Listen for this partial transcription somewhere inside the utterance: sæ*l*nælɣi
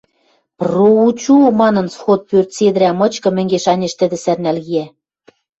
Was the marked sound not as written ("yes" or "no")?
yes